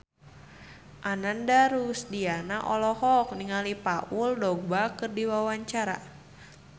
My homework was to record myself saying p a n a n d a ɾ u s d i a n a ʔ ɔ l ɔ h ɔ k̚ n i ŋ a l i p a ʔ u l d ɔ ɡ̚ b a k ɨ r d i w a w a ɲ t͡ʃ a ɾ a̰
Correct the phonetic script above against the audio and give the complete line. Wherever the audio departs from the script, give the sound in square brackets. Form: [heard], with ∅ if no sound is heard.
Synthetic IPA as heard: [ʔ] a n a n d a ɾ u s d i a n a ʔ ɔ l ɔ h ɔ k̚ n i ŋ a l i p a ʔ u l d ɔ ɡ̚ b a k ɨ r d i w a w a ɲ t͡ʃ a ɾ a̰